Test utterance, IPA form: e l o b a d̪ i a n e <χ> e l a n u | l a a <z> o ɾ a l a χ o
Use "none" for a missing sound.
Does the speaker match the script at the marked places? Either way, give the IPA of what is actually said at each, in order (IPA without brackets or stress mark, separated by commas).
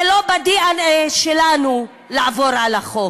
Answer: ʃ, v